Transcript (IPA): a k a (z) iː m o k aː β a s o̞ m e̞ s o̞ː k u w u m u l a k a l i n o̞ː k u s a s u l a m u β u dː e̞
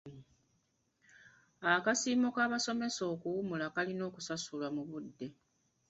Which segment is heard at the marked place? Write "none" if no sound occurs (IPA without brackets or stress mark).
s